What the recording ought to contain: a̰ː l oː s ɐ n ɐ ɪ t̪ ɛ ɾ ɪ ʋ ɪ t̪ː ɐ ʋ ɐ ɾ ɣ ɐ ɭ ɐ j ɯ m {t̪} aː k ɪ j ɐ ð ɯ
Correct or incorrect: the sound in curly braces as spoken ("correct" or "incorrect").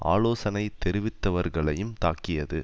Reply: correct